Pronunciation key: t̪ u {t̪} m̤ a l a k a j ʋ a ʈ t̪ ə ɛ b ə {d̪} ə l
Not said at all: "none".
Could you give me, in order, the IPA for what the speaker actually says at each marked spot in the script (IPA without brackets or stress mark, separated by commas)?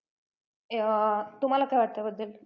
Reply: none, d̪ː